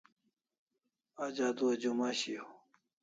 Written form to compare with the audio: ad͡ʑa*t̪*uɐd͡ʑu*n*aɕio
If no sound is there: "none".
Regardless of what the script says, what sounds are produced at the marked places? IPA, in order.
d̪, m

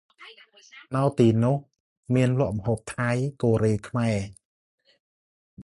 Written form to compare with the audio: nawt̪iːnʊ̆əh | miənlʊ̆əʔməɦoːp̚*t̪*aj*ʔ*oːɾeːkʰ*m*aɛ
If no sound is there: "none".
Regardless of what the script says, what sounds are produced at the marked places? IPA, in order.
t̪ʰ, k, m

